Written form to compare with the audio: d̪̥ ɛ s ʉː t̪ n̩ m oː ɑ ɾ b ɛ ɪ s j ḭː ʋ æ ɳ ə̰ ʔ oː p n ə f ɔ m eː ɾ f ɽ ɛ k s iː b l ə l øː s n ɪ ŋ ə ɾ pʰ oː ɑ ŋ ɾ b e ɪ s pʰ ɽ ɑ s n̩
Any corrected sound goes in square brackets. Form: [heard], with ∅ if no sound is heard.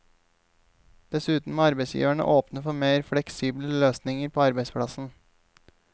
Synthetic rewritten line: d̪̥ ɛ s ʉː t̪ n̩ m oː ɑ ɾ b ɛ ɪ s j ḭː ʋ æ ɳ ə̰ ʔ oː p n ə f ɔ m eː ɾ f ɽ ɛ k s iː b l ə l øː s n ɪ ŋ ə ɾ pʰ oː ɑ [∅] ɾ b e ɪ s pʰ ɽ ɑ s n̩